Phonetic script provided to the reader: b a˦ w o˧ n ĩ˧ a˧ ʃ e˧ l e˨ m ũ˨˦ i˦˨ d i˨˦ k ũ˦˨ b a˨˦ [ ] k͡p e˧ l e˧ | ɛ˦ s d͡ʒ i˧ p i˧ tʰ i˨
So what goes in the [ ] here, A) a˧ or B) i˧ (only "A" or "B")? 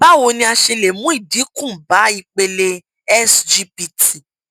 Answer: B